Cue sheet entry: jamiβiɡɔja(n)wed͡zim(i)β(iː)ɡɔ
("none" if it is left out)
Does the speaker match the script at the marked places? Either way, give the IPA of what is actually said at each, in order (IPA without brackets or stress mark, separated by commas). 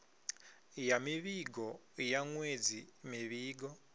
ŋ, i, iː